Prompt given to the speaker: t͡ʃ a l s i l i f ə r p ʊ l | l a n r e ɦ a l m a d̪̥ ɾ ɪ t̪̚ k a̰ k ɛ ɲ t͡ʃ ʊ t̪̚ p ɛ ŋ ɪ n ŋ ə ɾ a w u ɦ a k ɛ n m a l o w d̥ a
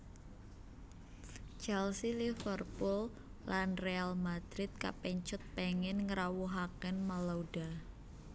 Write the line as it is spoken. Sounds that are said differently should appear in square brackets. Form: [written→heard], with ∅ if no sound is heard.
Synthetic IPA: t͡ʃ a l s i l i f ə r p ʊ l | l a n r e [ɦ→∅] a l m a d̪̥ ɾ ɪ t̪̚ k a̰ [k→p] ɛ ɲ t͡ʃ ʊ t̪̚ p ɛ ŋ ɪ n ŋ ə ɾ a w u ɦ a k ɛ n m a l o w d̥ a